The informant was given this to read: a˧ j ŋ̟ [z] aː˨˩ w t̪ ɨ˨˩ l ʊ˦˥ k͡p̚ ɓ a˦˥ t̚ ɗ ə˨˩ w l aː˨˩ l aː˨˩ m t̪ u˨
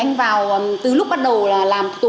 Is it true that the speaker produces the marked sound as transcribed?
no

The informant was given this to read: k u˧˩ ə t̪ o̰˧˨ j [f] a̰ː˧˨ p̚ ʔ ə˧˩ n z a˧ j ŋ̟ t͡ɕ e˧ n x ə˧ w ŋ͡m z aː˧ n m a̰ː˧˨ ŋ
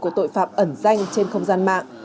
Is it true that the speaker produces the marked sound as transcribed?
yes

